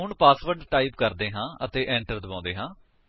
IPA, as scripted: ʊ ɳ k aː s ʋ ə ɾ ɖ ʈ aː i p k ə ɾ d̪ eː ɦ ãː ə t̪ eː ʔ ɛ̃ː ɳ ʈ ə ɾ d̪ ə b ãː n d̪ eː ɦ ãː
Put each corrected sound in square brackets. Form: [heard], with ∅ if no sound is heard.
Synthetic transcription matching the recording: ʊ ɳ [p] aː s ʋ ə ɾ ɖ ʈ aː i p k ə ɾ d̪ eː ɦ ãː ə t̪ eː ʔ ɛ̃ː ɳ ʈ ə ɾ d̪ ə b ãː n d̪ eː ɦ ãː